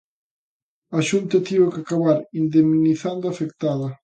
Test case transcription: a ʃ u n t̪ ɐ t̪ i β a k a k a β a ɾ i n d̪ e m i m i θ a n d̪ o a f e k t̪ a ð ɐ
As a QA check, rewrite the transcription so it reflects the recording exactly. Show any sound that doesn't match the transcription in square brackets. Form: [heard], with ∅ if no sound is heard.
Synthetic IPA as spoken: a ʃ u n t̪ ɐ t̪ i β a k a k a β a ɾ i n d̪ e m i [n] i θ a n d̪ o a f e k t̪ a ð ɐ